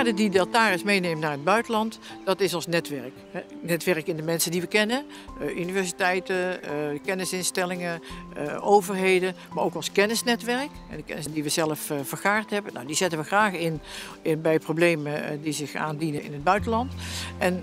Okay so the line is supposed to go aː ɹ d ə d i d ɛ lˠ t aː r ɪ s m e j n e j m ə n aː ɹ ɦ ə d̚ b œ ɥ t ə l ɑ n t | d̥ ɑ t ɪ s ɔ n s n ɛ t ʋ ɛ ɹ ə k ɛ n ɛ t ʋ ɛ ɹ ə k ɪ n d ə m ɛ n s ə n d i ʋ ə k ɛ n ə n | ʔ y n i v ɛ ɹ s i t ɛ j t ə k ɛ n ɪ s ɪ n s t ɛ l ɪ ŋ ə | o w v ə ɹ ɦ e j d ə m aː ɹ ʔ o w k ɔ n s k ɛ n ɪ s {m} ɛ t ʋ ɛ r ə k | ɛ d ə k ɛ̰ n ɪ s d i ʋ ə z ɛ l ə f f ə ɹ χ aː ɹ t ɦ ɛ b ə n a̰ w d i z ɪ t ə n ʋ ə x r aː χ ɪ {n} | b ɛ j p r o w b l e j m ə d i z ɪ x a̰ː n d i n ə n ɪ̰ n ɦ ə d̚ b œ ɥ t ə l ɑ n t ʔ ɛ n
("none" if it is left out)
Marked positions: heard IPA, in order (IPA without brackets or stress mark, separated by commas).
n, n